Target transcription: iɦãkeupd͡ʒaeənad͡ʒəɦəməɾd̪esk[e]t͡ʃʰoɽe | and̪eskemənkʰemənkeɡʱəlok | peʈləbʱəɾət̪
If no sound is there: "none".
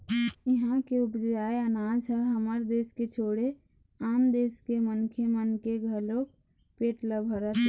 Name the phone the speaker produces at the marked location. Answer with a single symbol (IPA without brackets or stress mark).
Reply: e